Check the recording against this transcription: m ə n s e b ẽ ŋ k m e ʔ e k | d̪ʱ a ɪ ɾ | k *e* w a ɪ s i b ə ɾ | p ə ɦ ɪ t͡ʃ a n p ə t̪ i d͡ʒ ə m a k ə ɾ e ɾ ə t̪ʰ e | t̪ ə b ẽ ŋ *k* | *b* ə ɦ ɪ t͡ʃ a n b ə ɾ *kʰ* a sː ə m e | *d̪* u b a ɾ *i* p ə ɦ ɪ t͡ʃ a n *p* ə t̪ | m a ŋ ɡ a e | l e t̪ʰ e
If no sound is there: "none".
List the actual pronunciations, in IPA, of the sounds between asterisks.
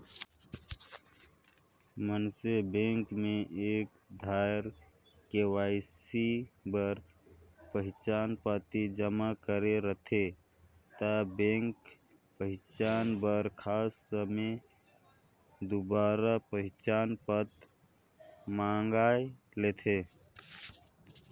e, k, p, kʰ, d̪, a, p

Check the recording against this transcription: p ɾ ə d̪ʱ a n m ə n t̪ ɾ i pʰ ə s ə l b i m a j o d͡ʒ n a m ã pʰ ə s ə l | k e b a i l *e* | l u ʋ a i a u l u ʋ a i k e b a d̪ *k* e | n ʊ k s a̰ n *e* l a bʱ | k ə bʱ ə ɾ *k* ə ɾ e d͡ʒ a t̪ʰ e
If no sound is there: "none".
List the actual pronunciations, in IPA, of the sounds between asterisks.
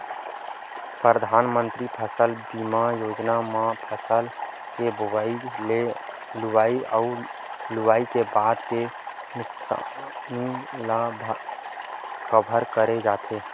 e, k, i, k

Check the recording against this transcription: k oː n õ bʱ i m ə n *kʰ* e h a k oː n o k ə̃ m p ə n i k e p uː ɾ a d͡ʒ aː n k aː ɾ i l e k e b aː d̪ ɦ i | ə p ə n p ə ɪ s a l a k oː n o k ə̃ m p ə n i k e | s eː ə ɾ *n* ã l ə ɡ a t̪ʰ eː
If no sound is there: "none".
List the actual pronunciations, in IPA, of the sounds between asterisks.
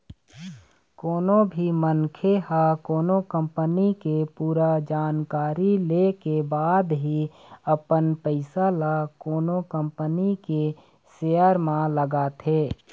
kʰ, m

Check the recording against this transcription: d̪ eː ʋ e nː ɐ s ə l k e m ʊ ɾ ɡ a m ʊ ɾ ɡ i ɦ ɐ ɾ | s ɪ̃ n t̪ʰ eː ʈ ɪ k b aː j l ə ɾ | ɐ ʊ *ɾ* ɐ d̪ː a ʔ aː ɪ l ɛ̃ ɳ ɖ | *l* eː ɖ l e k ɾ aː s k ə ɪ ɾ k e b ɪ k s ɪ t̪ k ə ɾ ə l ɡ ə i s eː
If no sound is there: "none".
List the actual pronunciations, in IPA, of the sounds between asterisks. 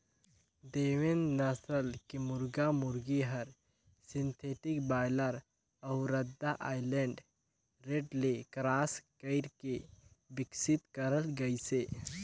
ɾ, ɾ

